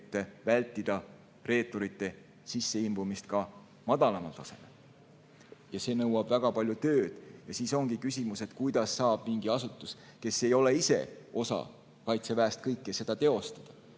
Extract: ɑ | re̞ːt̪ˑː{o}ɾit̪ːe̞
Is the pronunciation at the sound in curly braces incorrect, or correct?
correct